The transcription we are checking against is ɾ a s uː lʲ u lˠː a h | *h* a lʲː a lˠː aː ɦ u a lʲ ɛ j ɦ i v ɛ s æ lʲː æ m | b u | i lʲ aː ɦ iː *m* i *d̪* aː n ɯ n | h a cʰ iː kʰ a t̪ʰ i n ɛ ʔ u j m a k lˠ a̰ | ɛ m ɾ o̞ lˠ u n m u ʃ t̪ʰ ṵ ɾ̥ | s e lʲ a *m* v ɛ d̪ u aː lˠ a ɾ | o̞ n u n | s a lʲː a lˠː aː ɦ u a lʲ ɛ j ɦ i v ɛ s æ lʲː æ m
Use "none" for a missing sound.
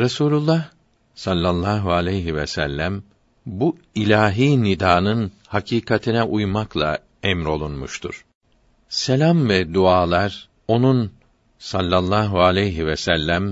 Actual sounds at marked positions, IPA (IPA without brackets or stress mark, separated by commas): s, n, d̪, m